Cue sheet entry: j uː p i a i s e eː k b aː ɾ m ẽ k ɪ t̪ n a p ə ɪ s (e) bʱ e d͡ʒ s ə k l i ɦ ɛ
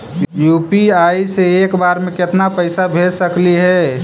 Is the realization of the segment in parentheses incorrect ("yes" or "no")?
yes